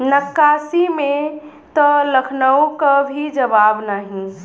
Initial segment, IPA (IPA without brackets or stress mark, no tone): n